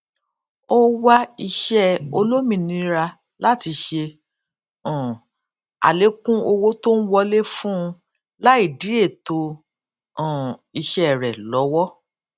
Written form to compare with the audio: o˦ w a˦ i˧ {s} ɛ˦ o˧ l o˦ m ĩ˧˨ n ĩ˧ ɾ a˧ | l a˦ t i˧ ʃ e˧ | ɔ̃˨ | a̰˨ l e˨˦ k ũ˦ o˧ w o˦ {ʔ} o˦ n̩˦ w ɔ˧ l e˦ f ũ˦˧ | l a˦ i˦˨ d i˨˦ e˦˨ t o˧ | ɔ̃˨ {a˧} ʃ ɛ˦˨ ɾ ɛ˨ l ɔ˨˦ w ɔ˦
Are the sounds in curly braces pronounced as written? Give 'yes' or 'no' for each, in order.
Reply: no, no, no

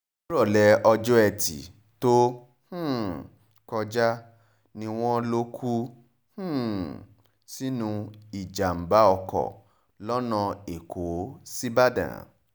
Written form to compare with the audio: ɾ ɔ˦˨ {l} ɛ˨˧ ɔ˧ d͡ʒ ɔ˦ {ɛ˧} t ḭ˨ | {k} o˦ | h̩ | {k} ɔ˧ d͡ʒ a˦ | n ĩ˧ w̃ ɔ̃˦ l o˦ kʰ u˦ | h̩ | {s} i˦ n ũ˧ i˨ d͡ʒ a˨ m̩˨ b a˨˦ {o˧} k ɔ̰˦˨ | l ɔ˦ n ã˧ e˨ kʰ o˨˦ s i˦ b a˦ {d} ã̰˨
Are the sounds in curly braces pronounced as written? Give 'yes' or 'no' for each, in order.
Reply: yes, yes, no, yes, yes, no, yes

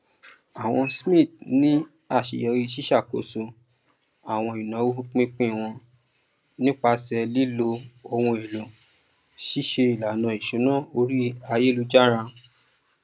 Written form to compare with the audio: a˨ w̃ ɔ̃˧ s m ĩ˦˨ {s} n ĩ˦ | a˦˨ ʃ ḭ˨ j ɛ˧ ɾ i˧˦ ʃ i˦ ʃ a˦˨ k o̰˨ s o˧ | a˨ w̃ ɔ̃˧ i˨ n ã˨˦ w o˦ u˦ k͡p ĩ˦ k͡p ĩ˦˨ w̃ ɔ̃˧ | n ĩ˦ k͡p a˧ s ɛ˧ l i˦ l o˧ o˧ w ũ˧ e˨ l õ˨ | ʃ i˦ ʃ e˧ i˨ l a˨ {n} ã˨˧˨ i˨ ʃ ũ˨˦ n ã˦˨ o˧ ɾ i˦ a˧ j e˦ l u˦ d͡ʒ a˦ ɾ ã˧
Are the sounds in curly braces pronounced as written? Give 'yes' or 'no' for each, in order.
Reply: no, yes

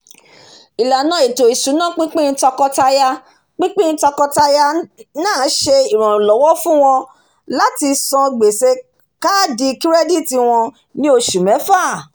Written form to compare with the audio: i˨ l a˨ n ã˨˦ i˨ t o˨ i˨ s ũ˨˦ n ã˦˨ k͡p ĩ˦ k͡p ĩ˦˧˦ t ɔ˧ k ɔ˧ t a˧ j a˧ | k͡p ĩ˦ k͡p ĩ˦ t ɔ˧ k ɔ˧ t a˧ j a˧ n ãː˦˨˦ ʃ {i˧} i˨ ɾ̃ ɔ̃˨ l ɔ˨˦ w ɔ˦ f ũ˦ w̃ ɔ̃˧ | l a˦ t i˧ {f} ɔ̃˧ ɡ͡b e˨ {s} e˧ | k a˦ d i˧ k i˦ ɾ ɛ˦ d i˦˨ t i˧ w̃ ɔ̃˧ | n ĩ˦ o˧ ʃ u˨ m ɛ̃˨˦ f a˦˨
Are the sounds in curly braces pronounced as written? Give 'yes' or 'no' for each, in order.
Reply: no, no, yes

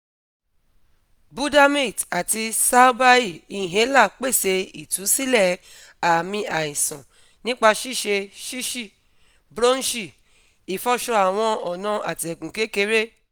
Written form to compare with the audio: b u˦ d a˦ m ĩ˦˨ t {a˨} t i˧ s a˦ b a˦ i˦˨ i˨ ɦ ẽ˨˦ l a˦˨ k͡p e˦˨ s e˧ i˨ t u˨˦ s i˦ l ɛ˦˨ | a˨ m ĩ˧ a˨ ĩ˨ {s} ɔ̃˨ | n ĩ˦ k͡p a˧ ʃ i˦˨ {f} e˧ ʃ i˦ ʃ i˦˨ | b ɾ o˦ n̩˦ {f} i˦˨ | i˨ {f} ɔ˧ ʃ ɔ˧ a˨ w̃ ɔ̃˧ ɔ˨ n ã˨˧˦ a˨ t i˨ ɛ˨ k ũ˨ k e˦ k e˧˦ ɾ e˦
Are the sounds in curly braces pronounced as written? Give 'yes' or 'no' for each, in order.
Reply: yes, yes, no, no, yes

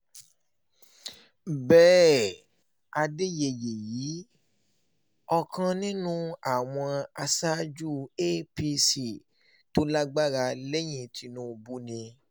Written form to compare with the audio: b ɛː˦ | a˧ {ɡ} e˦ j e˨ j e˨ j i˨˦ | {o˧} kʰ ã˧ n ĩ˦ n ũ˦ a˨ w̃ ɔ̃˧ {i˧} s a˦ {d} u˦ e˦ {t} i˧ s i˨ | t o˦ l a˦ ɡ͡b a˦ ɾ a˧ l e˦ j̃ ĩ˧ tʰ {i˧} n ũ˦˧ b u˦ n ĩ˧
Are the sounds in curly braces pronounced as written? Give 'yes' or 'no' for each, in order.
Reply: no, no, no, no, no, yes

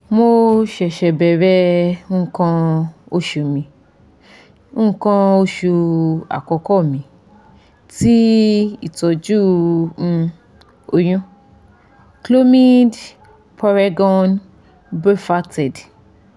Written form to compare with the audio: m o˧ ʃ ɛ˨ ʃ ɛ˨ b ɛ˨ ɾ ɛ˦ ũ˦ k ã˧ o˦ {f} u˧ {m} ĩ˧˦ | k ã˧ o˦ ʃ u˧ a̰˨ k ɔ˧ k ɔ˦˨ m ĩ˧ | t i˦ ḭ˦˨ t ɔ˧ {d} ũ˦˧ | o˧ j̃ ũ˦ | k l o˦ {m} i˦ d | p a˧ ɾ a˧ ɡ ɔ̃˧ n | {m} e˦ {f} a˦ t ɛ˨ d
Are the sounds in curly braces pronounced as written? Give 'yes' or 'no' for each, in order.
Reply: no, yes, no, yes, no, yes

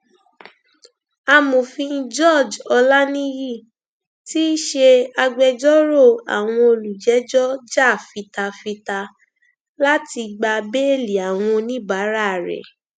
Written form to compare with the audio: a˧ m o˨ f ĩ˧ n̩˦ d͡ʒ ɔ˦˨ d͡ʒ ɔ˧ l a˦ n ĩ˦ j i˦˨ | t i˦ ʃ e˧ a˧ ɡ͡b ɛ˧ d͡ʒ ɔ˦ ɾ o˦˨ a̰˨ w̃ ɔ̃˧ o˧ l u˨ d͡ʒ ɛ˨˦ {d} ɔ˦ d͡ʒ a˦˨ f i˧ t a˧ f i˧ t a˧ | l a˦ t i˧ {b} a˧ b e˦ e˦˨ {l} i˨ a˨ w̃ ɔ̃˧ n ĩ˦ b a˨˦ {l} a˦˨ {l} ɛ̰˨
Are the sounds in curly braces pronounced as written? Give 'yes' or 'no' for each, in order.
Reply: no, no, yes, no, no

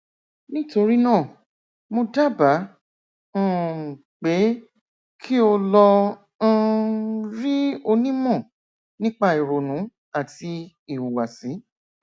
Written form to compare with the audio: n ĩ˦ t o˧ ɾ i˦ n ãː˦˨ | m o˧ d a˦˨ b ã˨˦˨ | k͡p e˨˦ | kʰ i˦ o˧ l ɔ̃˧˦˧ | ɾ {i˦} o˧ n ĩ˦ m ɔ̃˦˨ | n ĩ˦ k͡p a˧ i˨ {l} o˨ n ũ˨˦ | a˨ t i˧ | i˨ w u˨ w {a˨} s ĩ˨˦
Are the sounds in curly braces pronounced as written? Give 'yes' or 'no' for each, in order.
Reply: yes, no, yes

